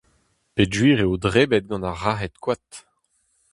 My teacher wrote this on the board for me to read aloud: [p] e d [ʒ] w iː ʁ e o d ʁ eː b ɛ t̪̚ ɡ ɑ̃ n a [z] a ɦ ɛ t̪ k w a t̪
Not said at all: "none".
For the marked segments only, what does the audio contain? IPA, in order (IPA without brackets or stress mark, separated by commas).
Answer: p, ʒ, ʁ